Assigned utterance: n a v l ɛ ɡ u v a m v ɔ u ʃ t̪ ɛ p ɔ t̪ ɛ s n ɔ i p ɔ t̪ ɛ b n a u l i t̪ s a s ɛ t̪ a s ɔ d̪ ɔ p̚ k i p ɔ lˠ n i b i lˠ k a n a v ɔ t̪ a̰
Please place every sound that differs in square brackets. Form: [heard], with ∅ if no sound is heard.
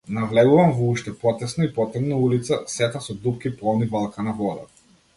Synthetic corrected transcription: n a v l ɛ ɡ u v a m v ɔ u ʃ t̪ ɛ p ɔ t̪ ɛ s n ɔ i p ɔ t̪ ɛ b n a u l i t̪ s a s ɛ t̪ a s ɔ d̪ [u] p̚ k i p ɔ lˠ n i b [a] lˠ k a n a v ɔ [d̪] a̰